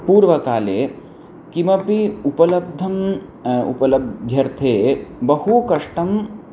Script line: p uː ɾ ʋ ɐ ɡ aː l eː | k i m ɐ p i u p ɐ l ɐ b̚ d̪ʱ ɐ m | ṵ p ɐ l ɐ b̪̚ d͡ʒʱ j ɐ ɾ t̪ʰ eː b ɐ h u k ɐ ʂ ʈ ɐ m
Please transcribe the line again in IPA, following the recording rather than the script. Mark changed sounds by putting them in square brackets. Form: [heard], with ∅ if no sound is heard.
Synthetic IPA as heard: p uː ɾ ʋ ɐ [k] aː l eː | k i m ɐ p i u p ɐ l ɐ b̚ d̪ʱ ɐ m | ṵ p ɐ l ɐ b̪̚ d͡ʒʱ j ɐ ɾ t̪ʰ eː b ɐ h u k ɐ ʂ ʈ ɐ m